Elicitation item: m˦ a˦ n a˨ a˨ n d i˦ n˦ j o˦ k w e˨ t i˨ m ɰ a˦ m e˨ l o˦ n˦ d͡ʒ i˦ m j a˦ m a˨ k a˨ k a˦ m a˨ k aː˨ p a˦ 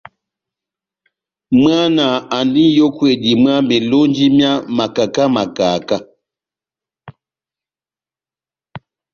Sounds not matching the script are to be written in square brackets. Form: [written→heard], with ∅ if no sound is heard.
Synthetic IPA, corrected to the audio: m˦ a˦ n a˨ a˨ n d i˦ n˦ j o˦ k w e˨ [t→d] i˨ m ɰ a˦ m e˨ l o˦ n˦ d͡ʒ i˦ m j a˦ m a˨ k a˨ k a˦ m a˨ k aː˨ [p→k] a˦